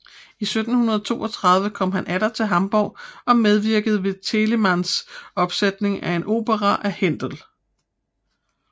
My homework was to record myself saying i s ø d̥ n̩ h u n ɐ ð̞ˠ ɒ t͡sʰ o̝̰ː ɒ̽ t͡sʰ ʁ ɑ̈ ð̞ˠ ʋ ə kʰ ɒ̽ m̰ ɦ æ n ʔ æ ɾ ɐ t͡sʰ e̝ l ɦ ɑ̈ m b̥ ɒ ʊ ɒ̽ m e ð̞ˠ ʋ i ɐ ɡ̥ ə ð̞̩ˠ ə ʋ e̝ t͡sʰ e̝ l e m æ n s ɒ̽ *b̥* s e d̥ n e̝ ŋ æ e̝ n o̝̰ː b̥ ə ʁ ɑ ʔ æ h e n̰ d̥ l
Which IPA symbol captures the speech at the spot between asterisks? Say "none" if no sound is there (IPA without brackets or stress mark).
b̥